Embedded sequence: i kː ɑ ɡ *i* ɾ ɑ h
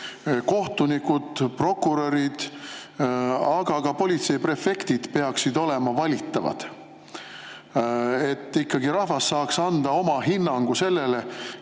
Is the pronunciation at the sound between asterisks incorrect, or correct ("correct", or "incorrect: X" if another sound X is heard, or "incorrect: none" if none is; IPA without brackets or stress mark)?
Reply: correct